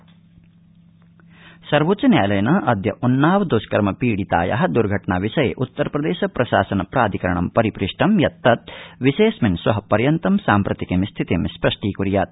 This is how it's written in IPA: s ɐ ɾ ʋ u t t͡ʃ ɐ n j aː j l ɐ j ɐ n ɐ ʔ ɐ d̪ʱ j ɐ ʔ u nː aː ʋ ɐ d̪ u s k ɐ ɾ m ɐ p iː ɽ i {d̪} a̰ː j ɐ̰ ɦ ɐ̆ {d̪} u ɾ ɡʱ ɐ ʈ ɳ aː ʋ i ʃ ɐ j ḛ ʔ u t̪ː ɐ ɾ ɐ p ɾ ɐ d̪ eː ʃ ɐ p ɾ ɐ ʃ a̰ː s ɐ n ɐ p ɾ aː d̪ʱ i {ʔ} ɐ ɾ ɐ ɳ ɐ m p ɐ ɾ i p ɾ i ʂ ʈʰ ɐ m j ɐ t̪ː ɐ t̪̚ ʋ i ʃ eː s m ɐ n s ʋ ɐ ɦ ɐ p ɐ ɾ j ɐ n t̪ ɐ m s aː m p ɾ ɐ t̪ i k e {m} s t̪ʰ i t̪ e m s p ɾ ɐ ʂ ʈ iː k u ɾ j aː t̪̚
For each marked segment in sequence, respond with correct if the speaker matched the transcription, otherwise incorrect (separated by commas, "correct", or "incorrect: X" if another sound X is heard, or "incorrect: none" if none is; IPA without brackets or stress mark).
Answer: incorrect: t̪, correct, incorrect: k, correct